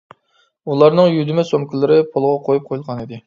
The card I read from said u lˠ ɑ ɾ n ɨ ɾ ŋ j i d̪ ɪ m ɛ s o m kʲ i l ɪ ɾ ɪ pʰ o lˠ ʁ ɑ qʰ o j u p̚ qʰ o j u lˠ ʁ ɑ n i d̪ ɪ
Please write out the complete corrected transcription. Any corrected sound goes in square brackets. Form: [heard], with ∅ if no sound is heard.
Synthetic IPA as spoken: u lˠ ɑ ɾ n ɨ [∅] ŋ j [y] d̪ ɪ m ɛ s o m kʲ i l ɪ ɾ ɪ pʰ o lˠ ʁ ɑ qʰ o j u p̚ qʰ o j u lˠ ʁ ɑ n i d̪ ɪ